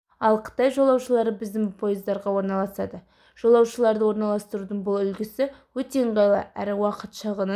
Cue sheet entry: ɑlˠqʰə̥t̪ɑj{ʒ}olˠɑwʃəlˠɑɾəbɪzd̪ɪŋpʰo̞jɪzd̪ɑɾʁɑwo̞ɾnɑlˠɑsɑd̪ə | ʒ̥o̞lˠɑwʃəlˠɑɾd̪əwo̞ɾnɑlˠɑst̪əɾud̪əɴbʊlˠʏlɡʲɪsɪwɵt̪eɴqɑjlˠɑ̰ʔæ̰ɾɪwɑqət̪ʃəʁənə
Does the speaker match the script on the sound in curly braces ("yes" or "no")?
yes